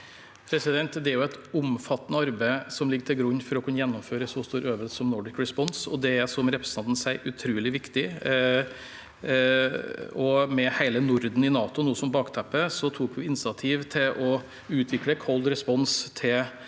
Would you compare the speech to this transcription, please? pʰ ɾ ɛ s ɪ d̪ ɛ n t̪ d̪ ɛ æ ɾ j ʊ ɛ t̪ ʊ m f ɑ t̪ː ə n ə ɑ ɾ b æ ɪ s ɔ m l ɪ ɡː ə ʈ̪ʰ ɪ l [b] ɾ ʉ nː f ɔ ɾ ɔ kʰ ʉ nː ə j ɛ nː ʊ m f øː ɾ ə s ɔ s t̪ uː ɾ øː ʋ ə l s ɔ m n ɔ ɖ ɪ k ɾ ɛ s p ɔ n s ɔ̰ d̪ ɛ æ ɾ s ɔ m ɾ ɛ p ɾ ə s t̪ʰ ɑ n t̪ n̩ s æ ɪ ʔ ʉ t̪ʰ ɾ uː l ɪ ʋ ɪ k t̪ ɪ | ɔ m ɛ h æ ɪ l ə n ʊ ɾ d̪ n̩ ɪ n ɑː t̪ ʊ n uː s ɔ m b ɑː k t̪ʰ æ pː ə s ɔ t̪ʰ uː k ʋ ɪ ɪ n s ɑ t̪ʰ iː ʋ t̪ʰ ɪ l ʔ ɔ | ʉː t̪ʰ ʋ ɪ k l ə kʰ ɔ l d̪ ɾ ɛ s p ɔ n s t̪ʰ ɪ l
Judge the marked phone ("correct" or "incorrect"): incorrect